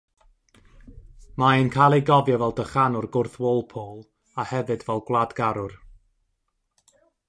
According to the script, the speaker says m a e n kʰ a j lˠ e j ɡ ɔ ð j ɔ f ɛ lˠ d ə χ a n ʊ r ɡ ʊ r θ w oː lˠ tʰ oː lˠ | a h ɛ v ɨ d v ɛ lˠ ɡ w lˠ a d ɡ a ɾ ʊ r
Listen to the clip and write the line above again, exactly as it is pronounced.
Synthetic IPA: m a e n kʰ a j lˠ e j ɡ ɔ v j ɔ v ɛ lˠ d ə χ a n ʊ r ɡ ʊ r θ w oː lˠ pʰ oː lˠ | a h ɛ v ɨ d v ɛ lˠ ɡ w lˠ a d ɡ a ɾ ʊ r